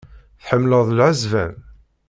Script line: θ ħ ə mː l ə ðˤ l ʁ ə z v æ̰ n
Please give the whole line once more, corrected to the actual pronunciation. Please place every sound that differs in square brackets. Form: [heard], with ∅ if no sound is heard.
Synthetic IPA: θ ħ ə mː l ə ðˤ l [ʕ] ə z v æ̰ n